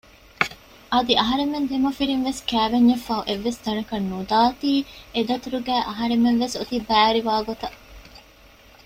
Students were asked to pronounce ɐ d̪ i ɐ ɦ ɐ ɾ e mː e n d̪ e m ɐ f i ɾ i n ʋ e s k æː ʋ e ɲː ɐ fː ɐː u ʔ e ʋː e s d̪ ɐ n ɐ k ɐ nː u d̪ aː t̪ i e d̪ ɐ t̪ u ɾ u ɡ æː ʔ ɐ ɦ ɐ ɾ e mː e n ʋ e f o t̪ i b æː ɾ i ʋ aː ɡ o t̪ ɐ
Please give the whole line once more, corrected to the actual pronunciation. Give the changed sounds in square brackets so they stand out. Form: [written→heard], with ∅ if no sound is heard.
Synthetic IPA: ɐ d̪ i ɐ ɦ ɐ ɾ e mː e n d̪ e m ɐ f i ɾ i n ʋ e s k æː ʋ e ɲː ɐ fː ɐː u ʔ e ʋː e s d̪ ɐ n ɐ k ɐ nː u d̪ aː t̪ [i→iː] e d̪ ɐ t̪ u ɾ u ɡ æː ʔ ɐ ɦ ɐ ɾ e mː e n ʋ e [f→s] o t̪ i b æː ɾ i ʋ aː ɡ o t̪ ɐ